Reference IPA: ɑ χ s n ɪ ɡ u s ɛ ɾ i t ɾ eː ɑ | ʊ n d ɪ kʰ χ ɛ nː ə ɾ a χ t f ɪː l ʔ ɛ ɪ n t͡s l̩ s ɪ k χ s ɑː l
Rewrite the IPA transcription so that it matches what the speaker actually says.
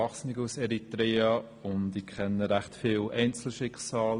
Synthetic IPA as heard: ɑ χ s n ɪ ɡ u s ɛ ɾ i t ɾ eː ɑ | ʊ n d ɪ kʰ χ ɛ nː ə ɾ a χ t f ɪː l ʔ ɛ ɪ n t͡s l̩ ʃ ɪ k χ s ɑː l